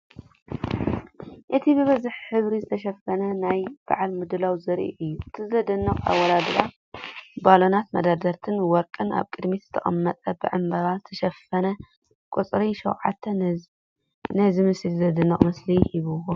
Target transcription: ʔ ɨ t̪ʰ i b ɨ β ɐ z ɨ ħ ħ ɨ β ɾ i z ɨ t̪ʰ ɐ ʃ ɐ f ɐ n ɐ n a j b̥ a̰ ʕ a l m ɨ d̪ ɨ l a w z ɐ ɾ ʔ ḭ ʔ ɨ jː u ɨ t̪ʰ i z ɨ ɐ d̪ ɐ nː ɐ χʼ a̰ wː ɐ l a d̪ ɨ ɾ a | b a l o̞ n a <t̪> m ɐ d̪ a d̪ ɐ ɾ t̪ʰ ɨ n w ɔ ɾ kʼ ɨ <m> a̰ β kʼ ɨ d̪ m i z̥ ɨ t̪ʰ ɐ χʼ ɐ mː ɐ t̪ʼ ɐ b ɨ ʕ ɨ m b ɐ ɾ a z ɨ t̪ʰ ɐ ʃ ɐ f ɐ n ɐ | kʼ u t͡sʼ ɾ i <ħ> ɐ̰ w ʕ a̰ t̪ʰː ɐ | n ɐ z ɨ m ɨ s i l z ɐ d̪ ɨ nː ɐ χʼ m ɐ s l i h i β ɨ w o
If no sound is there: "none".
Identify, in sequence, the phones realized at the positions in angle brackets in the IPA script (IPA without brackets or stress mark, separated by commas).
t̪, n, ʃ